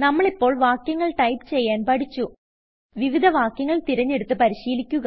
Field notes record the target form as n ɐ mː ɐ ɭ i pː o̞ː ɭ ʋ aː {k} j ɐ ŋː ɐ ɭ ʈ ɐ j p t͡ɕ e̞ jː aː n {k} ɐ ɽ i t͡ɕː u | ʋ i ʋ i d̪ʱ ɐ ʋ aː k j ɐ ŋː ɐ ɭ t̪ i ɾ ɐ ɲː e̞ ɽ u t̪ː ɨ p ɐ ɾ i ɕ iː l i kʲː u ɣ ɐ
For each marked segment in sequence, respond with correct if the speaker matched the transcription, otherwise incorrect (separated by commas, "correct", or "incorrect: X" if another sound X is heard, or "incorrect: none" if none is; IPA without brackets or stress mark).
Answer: correct, incorrect: p